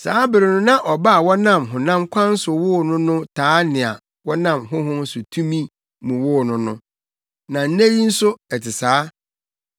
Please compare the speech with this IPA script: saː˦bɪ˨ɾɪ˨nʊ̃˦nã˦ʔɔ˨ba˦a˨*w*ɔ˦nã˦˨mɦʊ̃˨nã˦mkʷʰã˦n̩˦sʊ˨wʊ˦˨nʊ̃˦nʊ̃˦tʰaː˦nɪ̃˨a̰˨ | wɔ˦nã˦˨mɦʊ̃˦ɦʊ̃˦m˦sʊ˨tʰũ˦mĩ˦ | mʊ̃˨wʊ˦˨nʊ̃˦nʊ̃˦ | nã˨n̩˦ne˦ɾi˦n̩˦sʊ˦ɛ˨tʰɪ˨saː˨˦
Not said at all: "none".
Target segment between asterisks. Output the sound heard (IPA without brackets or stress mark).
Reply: w